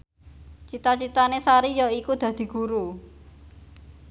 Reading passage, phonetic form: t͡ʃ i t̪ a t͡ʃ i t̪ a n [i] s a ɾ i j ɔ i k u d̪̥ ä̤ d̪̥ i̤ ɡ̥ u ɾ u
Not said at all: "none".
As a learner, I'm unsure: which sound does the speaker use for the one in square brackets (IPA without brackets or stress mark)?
e